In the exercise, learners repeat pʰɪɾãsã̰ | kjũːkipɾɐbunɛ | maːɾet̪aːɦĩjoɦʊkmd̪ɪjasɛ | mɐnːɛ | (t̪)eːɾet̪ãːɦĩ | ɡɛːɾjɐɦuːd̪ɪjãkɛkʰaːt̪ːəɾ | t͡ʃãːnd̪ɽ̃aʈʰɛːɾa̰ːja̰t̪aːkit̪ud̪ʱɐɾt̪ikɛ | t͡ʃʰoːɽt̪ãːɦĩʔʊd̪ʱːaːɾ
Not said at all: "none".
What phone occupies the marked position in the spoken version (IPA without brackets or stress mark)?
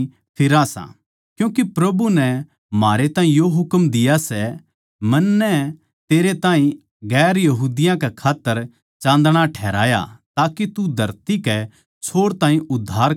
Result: t̪